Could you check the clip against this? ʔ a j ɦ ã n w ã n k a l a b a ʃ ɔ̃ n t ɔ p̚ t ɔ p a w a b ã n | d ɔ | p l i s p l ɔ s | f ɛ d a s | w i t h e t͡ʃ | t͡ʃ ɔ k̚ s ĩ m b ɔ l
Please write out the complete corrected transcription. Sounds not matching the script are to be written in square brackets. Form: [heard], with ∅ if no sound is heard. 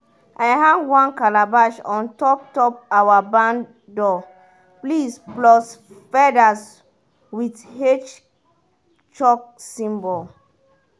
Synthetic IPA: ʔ a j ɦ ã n w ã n k a l a b a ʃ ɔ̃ n t ɔ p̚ t ɔ p a w a b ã n | d ɔ | p l i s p l ɔ s | f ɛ d a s | w i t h e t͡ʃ | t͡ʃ ɔ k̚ s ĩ m b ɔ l